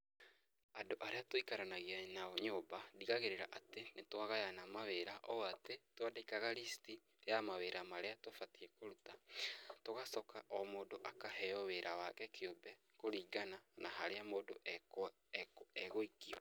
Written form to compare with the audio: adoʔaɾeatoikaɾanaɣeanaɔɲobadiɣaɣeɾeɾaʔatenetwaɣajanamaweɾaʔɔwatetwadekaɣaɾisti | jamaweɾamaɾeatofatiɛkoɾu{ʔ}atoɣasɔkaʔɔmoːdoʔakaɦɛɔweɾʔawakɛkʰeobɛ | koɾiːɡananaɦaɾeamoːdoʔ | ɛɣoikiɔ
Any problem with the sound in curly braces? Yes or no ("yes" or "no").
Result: yes